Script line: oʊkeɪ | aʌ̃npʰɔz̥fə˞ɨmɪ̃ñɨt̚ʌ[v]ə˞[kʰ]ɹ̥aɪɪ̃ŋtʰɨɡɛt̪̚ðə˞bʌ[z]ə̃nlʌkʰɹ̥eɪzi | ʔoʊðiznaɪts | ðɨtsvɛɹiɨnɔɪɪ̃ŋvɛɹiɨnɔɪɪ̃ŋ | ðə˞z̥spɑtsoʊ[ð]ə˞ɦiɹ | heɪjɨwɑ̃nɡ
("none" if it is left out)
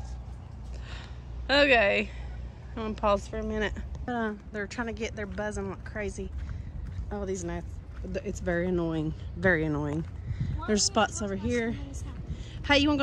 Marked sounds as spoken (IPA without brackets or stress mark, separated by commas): ð, tʰ, z, v